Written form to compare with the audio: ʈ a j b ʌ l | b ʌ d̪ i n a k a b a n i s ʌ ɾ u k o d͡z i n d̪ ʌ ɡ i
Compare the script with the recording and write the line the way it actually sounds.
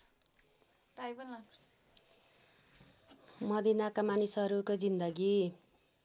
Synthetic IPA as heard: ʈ a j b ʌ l | m ʌ d̪ i n a k a m a n i s ʌ ɾ u k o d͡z i n d̪ ʌ ɡ i